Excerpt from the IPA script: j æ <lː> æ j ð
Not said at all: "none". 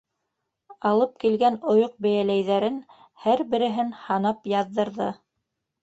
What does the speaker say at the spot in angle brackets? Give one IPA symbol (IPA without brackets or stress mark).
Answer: l